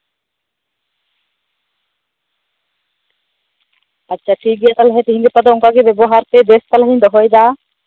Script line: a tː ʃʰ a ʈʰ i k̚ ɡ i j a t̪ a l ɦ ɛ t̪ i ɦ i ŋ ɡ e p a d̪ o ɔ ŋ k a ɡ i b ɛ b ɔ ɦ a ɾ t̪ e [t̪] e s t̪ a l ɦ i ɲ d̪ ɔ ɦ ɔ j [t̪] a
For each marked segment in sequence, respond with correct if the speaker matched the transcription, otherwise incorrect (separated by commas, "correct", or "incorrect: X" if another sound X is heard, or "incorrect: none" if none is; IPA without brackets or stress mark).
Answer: incorrect: d̪, incorrect: d̪